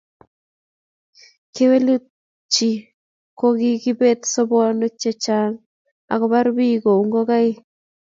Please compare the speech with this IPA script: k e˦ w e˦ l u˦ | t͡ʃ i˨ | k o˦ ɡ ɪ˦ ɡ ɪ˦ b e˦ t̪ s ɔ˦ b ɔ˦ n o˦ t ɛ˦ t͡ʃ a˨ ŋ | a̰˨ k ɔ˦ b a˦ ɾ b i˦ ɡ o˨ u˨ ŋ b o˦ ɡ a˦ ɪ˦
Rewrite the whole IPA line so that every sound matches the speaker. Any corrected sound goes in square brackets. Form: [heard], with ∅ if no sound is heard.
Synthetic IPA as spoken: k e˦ w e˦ l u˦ | t͡ʃ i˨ | k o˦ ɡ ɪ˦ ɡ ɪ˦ b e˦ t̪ s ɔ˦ b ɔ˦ n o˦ [t͡ʃ] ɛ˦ t͡ʃ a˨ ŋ | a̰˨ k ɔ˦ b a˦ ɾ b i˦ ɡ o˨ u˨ ŋ [ɡ] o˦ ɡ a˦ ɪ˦